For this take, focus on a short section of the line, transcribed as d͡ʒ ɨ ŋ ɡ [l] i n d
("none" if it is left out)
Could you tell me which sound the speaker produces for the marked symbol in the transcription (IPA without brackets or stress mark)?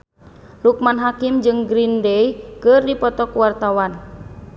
ɾ